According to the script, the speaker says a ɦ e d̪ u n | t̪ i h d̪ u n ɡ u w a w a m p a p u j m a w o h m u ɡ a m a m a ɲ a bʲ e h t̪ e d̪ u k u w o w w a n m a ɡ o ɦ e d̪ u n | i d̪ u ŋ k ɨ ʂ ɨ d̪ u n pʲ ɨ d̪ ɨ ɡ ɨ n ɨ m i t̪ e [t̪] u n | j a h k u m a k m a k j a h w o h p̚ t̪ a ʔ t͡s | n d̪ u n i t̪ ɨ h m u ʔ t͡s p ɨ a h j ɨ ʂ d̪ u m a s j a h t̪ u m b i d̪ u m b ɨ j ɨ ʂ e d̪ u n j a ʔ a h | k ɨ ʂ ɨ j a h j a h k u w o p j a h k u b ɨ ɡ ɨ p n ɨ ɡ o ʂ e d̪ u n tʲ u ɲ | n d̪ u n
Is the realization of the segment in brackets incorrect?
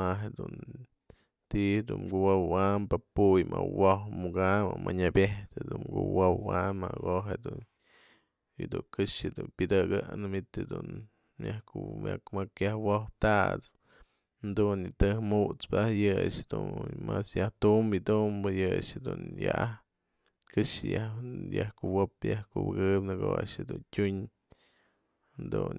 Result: yes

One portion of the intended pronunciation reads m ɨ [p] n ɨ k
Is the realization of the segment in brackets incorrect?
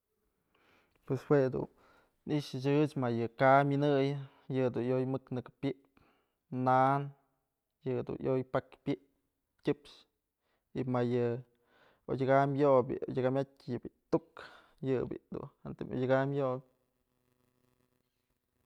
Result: yes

